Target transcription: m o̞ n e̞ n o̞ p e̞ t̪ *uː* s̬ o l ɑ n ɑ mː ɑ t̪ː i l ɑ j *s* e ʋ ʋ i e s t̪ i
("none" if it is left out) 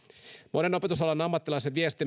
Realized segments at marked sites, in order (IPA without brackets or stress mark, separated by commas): u, s